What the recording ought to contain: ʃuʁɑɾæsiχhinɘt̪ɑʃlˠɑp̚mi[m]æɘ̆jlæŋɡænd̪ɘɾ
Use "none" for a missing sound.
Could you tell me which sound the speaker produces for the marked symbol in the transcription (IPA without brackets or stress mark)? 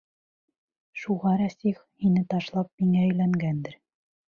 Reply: ŋ